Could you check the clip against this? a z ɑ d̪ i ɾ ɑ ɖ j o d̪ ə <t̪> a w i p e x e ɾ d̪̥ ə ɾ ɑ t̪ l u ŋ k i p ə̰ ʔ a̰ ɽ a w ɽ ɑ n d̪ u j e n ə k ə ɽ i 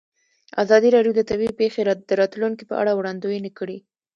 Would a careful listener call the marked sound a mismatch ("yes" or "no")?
no